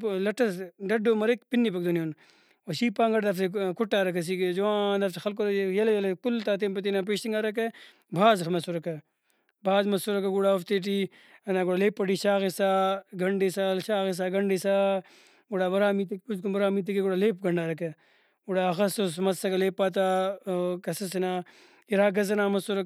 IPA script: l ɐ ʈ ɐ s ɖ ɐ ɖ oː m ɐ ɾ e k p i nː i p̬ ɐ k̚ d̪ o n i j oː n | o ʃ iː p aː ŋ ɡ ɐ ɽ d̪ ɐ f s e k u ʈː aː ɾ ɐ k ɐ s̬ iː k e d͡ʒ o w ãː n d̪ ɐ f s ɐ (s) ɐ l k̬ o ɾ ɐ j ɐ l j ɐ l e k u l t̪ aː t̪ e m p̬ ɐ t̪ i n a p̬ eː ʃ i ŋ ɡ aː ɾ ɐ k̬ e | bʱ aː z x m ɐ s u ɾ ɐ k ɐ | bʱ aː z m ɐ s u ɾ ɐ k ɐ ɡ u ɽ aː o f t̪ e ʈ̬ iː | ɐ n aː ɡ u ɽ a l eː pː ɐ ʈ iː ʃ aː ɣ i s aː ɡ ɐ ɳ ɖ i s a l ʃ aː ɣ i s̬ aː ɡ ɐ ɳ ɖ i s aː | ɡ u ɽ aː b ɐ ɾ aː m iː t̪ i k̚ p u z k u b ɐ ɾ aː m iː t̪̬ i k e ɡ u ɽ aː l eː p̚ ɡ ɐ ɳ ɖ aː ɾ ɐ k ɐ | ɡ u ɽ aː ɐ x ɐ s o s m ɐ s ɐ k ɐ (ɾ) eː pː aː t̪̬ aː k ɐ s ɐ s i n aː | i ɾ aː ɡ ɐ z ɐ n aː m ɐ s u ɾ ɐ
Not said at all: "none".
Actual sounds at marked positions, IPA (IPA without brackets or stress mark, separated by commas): x, l